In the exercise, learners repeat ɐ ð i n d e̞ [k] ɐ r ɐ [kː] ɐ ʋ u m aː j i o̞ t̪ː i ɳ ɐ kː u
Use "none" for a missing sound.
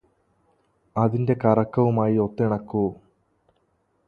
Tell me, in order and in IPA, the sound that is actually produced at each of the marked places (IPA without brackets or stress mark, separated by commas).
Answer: k, kː